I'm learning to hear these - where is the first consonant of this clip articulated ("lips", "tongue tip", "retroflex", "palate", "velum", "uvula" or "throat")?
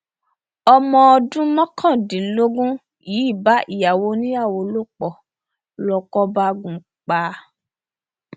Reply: lips